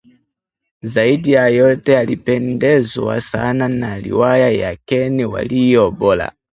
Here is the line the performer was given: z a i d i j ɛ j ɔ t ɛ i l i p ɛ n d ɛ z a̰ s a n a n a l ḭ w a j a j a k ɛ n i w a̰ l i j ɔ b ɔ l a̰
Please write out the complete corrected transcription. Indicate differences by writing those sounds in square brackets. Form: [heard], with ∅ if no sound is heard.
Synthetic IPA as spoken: z a i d i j [a] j ɔ t ɛ [a] l i p ɛ n d ɛ z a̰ s a n a n a l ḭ w a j a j a k ɛ n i w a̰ l i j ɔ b ɔ l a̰